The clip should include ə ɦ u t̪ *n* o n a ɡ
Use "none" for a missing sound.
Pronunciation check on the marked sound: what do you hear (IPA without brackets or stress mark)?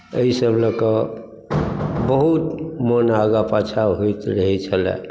m